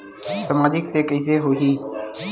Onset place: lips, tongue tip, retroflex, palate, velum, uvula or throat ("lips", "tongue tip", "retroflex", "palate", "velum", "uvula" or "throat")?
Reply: tongue tip